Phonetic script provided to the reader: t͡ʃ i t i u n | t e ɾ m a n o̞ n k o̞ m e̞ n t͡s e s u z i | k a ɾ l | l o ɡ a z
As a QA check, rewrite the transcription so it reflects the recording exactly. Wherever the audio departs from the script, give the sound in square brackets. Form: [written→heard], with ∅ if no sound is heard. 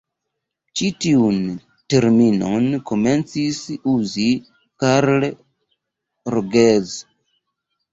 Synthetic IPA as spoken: t͡ʃ i t i u n | t e ɾ m [a→i] n o̞ n k o̞ m e̞ n t͡s [e→i] s u z i | k a ɾ l | [l→ɾ] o ɡ [a→e] z